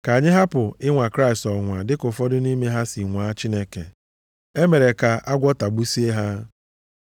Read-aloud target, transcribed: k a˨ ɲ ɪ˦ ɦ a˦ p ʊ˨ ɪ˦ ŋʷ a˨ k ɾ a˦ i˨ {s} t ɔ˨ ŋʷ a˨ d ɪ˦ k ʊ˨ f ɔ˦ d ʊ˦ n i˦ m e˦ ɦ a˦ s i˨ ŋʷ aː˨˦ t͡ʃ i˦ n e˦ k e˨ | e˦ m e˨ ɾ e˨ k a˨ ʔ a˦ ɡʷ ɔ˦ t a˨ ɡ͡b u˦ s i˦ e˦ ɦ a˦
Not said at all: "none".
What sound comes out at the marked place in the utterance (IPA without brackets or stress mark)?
s